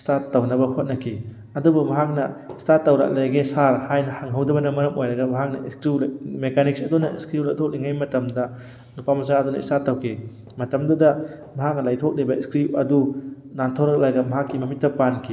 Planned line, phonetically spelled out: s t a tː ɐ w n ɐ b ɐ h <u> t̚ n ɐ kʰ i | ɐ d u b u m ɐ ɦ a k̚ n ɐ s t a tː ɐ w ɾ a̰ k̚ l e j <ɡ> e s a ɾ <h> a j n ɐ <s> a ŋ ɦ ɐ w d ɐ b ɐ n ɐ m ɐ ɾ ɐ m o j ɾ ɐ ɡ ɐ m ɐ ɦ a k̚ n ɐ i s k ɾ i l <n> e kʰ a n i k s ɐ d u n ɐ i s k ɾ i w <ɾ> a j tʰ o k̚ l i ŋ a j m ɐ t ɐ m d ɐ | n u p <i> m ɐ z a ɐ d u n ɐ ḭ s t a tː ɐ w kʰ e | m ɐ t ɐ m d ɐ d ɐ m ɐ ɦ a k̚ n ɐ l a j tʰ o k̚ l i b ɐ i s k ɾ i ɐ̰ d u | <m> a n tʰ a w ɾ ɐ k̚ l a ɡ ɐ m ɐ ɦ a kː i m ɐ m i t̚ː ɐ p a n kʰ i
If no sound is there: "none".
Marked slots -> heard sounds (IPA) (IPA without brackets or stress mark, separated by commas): o, ɡ, h, h, m, l, a, n